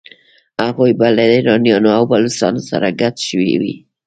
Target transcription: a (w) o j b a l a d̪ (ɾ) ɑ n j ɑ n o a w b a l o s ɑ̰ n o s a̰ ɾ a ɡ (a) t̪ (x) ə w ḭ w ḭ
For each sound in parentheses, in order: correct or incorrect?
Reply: incorrect, correct, correct, incorrect

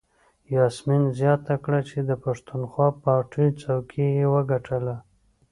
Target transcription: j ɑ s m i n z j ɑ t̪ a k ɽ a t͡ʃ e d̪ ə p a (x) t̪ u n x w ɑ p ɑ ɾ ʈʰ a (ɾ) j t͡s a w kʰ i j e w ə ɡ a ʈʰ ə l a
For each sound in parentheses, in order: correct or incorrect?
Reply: incorrect, incorrect

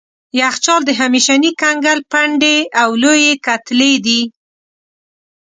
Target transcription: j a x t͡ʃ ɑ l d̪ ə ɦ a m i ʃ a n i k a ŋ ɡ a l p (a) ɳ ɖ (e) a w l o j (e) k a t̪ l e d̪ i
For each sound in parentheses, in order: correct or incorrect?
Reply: correct, correct, correct

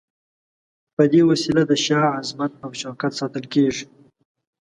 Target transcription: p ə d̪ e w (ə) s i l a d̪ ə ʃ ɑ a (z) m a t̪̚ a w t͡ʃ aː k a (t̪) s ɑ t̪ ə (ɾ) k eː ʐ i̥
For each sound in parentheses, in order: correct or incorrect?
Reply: incorrect, correct, correct, incorrect

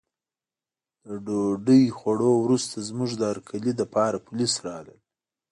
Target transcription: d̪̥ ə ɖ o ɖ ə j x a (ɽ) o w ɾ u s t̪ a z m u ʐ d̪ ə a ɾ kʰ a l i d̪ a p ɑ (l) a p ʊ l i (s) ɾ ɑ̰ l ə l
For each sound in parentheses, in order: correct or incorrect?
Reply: correct, incorrect, correct

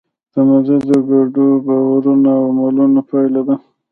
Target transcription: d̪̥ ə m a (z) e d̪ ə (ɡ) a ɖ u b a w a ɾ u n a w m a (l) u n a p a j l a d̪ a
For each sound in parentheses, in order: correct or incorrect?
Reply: correct, correct, correct

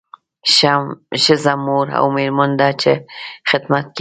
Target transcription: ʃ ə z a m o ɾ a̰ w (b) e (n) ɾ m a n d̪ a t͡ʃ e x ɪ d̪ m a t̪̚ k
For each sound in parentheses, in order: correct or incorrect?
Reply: incorrect, incorrect

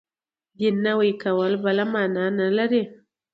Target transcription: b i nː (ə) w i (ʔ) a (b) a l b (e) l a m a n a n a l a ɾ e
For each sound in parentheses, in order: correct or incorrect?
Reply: incorrect, incorrect, incorrect, incorrect

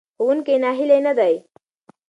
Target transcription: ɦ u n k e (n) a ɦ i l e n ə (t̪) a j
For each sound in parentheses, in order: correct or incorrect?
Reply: correct, incorrect

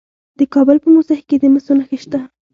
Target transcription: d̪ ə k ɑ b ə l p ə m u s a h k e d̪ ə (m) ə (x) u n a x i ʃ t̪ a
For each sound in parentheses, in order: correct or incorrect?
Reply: correct, incorrect

